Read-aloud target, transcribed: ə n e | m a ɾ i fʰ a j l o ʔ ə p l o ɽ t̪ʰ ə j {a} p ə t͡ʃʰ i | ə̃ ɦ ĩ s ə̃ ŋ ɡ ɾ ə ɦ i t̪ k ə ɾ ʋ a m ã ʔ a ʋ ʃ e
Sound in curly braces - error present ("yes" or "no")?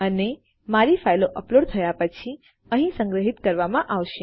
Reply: no